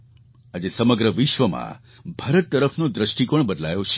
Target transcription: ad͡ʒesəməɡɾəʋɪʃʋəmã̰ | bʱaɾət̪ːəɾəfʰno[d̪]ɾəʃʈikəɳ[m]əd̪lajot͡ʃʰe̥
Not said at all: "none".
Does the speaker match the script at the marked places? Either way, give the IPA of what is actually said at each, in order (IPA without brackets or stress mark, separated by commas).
d̪, b